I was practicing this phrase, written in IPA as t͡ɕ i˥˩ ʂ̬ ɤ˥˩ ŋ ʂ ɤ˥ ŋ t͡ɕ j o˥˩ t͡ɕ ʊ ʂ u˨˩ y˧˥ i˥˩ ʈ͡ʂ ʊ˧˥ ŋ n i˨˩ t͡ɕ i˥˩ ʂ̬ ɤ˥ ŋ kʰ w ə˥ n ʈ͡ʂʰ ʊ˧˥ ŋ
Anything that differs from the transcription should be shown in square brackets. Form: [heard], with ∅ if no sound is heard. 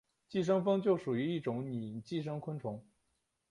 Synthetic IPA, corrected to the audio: t͡ɕ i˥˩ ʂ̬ [ɤ˥] ŋ [f] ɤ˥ ŋ t͡ɕ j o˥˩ [∅] ʊ ʂ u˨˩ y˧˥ i˥˩ ʈ͡ʂ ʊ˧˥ ŋ n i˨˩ t͡ɕ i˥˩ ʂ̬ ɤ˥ ŋ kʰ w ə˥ n ʈ͡ʂʰ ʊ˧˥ ŋ